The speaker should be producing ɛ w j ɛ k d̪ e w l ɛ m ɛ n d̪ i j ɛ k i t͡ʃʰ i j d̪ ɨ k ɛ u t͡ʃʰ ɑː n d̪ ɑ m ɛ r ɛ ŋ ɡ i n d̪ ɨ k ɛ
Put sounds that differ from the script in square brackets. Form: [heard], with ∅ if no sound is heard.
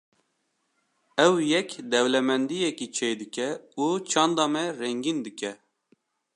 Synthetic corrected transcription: ɛ w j ɛ k d̪ [ɛ] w l ɛ m ɛ n d̪ i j ɛ k i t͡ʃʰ [e] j d̪ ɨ k ɛ u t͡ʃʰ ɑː n d̪ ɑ m ɛ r ɛ ŋ ɡ i n d̪ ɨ k ɛ